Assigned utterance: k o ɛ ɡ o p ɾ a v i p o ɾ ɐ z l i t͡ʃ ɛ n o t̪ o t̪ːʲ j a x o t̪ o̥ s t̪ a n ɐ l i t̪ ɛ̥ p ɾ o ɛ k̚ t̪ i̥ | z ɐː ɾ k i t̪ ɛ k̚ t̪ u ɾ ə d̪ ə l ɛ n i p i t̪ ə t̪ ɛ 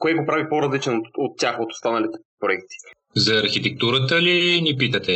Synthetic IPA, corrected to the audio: k o ɛ ɡ o p ɾ a v i p o ɾ ɐ z l i t͡ʃ ɛ n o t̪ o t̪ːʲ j a x o t̪ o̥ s t̪ a n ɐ l i t̪ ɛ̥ p ɾ o ɛ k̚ t̪ i̥ | z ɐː ɾ x i t̪ ɛ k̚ t̪ u ɾ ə t̪ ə l i n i p i t̪ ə t̪ ɛ